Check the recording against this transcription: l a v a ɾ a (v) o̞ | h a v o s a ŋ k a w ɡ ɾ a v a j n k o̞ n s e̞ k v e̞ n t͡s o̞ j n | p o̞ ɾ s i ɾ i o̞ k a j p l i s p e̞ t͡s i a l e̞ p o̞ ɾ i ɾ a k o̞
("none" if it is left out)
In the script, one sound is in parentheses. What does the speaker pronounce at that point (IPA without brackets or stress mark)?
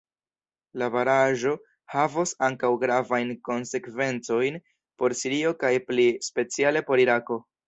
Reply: ʒ